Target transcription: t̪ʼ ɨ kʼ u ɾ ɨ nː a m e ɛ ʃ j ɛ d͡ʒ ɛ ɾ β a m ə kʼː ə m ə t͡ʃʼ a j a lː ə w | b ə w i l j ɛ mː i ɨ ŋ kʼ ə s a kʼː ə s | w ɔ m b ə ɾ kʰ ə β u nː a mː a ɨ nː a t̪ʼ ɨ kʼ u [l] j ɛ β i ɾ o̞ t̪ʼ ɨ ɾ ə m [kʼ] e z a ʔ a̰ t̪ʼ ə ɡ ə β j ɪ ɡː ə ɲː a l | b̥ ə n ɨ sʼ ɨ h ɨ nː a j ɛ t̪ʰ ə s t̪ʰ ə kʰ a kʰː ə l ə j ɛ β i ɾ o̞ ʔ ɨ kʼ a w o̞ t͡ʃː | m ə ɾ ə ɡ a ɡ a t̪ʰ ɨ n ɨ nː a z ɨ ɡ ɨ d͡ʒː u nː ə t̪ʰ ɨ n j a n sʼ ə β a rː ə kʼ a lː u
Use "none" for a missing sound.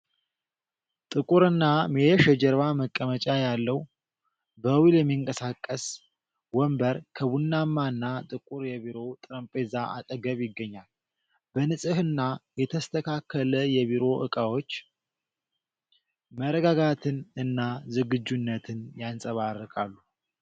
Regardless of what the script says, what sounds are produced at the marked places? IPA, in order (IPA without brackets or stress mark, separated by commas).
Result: ɾ, pʼ